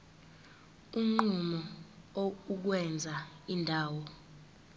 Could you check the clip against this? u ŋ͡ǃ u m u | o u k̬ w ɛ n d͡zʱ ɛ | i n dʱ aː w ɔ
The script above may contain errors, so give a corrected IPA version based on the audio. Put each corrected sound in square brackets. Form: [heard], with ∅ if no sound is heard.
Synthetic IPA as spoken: u ŋ͡ǃ u m [ɔ] | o u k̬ w ɛ n d͡zʱ [a] | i n dʱ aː w ɔ